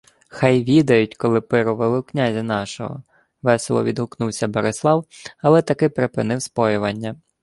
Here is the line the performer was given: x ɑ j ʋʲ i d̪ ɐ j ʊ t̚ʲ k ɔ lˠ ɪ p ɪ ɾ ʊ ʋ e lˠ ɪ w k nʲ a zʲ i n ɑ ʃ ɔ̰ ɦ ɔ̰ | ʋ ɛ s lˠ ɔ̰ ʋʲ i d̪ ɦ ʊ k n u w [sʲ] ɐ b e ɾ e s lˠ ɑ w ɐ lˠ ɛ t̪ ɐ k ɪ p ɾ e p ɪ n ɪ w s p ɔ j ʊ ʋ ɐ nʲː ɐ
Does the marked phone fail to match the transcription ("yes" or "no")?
no